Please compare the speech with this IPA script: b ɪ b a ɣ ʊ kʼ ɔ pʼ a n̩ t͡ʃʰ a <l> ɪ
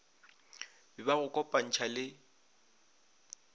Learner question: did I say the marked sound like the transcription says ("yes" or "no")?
yes